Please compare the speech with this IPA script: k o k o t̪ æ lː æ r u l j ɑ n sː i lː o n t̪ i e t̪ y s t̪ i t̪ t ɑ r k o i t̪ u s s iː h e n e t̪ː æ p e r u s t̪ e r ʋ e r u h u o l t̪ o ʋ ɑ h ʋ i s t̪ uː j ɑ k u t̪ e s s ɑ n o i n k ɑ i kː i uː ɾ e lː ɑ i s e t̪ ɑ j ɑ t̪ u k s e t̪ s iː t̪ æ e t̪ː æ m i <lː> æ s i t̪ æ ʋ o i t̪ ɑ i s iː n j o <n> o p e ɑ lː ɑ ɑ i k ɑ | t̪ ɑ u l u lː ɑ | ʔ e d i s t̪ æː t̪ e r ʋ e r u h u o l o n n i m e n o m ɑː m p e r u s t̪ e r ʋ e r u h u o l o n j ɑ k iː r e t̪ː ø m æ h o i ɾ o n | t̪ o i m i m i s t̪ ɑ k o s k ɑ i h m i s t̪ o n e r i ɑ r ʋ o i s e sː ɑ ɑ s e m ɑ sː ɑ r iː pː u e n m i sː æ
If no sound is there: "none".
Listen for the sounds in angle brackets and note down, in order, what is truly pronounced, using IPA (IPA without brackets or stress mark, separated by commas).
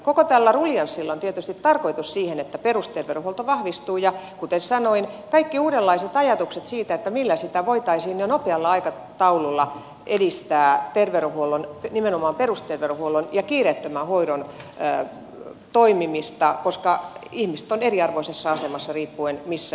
lː, n